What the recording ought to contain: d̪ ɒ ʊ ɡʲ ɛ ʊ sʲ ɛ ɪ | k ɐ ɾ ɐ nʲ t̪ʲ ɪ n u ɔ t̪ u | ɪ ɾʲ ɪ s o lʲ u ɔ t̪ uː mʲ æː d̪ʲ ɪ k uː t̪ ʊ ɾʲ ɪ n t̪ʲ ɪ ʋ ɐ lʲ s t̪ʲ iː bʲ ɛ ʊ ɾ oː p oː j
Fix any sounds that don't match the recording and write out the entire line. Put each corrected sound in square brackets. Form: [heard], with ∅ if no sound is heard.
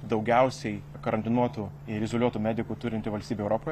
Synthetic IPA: d̪ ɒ ʊ ɡʲ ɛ ʊ sʲ ɛ ɪ | k ɐ ɾ ɐ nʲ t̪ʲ ɪ n u ɔ t̪ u | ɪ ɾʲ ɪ [z] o lʲ u ɔ t̪ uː mʲ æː d̪ʲ ɪ k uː t̪ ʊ ɾʲ ɪ n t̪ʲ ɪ ʋ ɐ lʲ s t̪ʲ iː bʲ ɛ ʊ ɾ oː p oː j